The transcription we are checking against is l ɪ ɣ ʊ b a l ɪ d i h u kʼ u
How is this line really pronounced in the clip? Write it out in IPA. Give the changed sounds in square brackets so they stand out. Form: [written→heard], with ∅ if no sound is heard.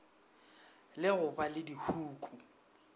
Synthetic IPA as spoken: l ɪ ɣ ʊ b a l ɪ d i h [u→uː] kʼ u